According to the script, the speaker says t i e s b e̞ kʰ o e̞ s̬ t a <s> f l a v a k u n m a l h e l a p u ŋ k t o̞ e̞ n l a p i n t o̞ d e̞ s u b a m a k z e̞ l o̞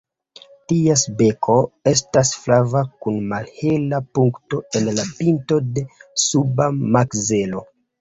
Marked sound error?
no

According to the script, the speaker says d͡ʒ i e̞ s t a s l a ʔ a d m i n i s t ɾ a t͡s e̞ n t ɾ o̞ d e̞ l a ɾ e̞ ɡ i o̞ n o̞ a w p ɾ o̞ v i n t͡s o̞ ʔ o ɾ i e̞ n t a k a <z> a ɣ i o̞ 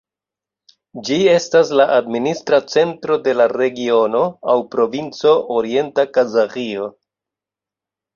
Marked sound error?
no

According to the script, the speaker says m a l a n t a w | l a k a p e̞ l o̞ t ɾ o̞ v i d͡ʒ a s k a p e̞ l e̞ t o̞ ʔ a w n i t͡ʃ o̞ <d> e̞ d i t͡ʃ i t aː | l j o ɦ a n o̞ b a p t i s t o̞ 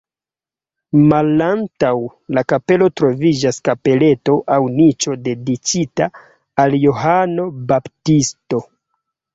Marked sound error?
no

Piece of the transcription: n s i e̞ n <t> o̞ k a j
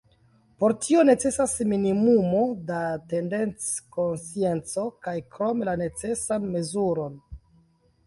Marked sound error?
yes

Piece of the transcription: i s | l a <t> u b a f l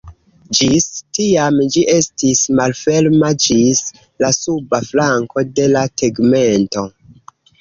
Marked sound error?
yes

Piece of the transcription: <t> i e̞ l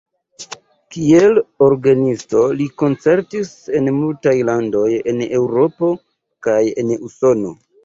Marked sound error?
yes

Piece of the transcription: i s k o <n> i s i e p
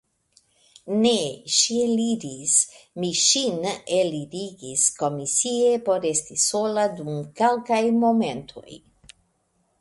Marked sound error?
yes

